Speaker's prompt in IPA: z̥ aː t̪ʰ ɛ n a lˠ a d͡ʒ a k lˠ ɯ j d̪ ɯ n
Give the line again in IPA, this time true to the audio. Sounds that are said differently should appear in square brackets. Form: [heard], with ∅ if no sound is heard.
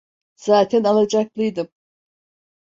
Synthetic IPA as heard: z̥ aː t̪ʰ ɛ n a lˠ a d͡ʒ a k lˠ ɯ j d̪ ɯ [m]